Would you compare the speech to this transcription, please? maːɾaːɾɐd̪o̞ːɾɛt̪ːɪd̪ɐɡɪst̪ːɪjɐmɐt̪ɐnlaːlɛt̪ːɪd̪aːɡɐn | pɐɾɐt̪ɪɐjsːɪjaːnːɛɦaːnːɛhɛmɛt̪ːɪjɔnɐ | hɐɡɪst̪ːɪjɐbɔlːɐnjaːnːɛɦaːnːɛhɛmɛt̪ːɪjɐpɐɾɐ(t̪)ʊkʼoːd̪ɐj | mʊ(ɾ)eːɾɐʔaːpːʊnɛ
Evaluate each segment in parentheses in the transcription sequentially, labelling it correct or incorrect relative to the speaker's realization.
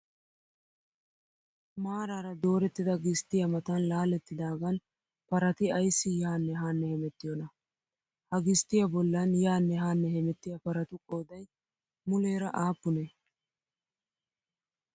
correct, incorrect: l

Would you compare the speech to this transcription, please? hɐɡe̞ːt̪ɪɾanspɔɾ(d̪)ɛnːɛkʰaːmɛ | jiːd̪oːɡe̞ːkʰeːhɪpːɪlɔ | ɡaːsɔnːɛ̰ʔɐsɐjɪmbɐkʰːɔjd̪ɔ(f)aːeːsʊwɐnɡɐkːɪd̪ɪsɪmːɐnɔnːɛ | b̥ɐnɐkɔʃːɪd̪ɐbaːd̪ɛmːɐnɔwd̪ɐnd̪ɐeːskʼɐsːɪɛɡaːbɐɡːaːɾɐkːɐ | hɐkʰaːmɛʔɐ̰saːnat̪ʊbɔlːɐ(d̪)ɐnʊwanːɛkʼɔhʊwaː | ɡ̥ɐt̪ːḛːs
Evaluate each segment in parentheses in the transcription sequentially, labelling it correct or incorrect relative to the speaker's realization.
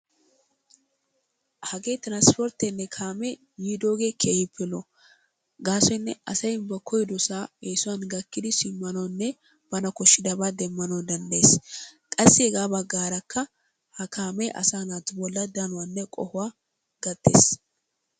incorrect: t̪, incorrect: s, correct

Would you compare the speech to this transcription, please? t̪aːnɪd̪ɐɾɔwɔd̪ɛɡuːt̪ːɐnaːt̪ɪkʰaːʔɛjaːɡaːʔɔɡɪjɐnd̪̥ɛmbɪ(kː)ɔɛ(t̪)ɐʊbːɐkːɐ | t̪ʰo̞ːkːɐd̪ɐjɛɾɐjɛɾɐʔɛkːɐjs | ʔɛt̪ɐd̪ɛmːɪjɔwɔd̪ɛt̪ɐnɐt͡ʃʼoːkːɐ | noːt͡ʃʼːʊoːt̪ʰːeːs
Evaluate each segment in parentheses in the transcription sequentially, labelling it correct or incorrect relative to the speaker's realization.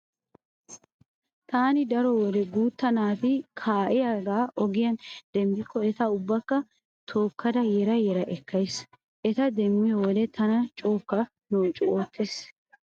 correct, correct

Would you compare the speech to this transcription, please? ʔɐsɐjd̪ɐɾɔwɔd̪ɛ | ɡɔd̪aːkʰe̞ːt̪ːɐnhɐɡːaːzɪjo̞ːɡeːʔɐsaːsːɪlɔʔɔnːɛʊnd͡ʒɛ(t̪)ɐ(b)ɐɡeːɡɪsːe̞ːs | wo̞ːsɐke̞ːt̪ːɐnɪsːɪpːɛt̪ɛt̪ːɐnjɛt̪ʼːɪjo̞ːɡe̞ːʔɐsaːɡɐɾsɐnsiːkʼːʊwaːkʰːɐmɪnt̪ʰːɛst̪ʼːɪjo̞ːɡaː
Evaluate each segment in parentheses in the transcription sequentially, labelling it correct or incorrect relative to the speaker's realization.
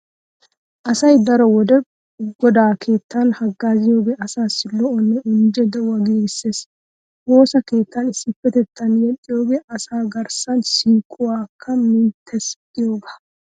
incorrect: d̪, incorrect: w

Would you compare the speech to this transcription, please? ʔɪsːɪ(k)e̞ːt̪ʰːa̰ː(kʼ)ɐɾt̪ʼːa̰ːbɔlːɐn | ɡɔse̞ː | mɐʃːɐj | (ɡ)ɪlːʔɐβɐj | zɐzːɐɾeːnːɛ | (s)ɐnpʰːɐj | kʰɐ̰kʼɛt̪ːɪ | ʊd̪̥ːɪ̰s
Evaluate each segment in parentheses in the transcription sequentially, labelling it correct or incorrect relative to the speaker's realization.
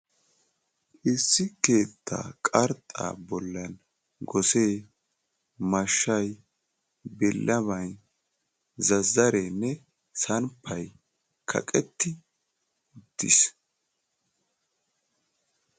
correct, correct, incorrect: b, correct

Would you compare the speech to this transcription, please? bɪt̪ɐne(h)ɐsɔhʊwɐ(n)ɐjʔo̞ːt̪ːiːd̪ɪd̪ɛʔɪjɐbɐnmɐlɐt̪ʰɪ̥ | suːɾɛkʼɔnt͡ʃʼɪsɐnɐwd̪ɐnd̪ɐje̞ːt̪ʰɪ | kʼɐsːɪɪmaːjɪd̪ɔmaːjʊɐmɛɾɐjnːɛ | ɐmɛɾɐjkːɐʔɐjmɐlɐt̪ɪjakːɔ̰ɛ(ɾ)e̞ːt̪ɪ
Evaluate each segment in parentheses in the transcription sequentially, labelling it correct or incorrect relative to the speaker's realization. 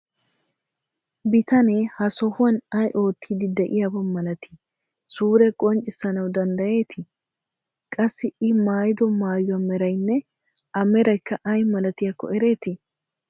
correct, correct, correct

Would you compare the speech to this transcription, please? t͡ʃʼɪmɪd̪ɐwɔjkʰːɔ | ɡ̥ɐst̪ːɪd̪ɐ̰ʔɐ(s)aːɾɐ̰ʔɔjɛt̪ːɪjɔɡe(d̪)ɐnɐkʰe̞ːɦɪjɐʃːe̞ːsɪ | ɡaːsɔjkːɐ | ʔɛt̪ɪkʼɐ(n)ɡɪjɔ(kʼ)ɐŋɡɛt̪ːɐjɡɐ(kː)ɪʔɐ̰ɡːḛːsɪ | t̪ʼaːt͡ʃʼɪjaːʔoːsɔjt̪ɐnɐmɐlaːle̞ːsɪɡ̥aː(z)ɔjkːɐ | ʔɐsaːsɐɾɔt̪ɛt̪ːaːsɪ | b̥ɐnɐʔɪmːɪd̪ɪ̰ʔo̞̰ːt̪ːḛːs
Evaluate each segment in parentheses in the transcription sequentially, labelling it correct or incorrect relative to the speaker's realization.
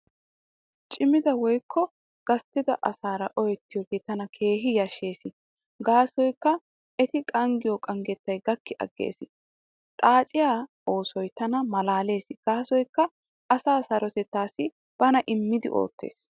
correct, incorrect: t̪, incorrect: ŋ, correct, correct, incorrect: s

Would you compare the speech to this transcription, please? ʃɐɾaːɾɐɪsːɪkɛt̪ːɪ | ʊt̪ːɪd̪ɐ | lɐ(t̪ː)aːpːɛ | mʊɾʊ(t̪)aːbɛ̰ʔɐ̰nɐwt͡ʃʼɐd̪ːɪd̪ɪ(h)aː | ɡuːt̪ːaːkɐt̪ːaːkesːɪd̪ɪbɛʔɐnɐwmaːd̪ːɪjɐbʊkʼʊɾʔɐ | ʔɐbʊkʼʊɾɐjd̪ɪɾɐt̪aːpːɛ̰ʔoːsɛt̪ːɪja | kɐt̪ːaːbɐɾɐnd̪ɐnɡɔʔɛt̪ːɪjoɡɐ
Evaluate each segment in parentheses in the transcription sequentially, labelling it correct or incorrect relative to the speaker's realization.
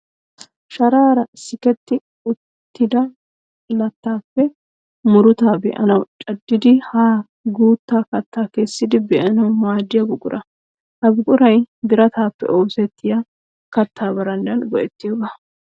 correct, correct, correct

